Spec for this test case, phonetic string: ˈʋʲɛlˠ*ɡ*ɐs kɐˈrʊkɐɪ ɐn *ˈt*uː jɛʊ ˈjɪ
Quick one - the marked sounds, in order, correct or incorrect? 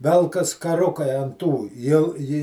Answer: incorrect, correct

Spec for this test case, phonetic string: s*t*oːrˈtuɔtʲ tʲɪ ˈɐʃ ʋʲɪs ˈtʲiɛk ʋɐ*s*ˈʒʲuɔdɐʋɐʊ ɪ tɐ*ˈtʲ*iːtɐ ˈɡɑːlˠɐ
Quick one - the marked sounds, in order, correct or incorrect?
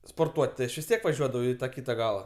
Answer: incorrect, incorrect, incorrect

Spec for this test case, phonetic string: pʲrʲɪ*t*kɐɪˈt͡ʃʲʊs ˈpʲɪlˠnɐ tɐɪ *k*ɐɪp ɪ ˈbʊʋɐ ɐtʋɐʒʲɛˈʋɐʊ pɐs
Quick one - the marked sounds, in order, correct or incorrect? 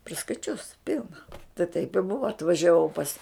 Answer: incorrect, incorrect

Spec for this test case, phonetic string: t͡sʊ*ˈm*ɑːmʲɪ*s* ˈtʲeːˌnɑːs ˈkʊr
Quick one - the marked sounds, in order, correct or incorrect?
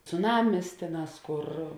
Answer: incorrect, correct

